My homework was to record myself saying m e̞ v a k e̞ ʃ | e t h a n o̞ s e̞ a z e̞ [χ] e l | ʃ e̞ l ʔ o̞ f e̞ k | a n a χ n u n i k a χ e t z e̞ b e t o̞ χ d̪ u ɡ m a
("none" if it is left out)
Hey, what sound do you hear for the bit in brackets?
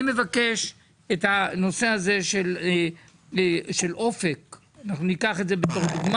ʃ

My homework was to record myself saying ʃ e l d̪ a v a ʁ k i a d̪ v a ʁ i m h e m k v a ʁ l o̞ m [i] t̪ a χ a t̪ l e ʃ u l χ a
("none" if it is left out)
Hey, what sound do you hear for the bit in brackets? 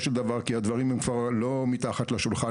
i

